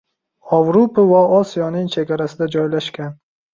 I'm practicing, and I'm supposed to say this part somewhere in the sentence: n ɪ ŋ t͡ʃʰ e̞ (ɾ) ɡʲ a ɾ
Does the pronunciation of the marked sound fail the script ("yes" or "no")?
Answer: yes